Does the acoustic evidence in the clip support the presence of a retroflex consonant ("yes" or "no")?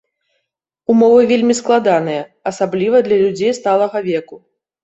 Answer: no